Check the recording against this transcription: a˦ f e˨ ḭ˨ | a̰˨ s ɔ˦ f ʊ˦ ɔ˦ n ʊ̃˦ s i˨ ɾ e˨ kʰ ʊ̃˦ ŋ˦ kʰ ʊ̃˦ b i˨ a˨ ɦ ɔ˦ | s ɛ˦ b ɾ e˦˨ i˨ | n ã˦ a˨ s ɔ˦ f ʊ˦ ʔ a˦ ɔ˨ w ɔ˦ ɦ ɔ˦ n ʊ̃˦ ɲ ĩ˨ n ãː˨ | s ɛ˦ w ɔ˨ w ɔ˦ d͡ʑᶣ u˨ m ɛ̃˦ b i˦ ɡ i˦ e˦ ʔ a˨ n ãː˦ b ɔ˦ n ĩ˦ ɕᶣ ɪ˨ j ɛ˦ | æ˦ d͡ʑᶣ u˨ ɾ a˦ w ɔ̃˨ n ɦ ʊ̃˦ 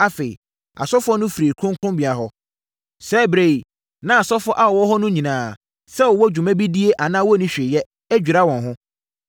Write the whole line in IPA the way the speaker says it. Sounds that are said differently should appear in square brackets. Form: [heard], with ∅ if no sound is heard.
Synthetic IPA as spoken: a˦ f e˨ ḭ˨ | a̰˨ s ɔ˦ f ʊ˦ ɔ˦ n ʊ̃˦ [f] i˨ ɾ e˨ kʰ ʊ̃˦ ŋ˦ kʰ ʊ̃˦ b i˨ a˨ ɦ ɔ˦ | s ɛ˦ b ɾ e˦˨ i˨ | n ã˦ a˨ s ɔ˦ f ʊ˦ ʔ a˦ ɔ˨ w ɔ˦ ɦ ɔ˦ n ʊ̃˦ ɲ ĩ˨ n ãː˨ | s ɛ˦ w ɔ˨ w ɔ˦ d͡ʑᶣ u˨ m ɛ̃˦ b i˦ [d] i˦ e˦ ʔ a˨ n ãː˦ [w] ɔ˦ n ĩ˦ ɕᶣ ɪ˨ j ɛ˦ | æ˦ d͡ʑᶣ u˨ ɾ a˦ w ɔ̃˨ n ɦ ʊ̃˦